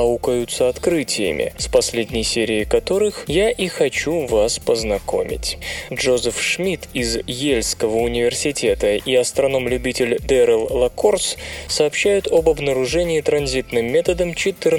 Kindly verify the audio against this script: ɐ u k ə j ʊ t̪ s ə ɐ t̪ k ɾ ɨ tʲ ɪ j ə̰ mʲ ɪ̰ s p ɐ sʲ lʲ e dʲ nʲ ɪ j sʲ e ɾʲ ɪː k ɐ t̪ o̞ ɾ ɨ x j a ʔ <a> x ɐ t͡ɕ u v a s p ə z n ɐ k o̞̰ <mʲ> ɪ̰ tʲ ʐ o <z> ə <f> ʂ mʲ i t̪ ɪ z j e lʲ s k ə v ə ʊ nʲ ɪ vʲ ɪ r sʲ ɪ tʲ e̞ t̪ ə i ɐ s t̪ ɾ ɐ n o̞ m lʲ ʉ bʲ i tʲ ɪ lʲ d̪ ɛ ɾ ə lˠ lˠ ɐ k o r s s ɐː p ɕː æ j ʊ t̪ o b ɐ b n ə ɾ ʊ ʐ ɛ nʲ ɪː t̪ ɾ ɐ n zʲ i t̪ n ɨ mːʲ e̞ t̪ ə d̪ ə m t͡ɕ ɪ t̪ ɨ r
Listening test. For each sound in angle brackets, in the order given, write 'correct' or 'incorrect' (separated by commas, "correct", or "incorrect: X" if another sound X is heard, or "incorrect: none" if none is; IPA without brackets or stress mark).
incorrect: i, correct, correct, correct